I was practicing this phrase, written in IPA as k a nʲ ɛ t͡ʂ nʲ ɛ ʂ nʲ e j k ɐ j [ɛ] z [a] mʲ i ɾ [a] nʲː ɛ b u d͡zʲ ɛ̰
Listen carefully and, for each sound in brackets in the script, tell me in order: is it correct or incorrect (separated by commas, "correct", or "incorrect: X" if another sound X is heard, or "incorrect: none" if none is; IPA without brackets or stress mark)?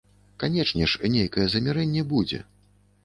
correct, incorrect: ɐ, incorrect: ɛ